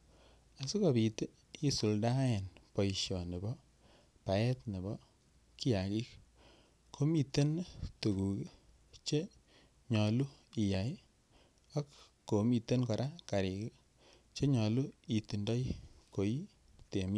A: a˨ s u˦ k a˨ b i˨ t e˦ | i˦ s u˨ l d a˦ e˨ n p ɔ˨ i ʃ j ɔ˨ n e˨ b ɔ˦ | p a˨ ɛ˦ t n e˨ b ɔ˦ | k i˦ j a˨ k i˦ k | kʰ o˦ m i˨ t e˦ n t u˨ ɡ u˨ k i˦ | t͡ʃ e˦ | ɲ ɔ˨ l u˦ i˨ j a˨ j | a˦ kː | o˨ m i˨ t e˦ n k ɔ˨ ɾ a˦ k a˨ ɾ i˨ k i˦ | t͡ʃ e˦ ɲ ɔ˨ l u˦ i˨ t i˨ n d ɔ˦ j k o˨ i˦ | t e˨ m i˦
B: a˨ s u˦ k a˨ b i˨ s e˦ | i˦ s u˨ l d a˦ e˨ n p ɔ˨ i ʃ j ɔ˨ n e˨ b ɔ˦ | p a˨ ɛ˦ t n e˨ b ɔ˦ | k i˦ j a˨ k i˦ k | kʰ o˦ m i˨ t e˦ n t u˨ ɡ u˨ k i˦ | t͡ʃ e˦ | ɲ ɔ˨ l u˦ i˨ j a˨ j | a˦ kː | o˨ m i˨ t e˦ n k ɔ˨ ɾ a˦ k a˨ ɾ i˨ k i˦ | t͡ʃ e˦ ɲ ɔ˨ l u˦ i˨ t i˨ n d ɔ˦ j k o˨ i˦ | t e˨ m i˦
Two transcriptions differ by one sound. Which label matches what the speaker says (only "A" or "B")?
A